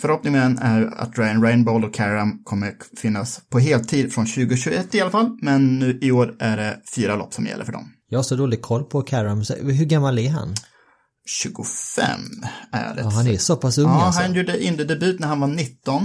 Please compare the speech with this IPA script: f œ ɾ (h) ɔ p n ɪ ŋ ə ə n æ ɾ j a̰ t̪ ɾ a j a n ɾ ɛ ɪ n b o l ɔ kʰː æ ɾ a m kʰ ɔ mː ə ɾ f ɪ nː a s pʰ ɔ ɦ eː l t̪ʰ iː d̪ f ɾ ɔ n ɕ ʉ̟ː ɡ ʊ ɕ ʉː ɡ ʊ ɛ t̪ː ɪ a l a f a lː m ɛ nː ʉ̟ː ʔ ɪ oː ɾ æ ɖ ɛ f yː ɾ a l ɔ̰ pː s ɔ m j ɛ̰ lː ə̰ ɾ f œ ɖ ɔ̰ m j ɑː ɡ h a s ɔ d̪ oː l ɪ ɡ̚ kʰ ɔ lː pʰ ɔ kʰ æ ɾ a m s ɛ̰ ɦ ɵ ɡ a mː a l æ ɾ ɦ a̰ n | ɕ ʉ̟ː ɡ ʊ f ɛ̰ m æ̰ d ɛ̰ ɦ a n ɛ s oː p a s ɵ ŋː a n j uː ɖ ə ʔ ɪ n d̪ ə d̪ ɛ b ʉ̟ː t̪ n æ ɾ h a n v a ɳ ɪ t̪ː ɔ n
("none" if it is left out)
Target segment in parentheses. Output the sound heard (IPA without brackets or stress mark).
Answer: h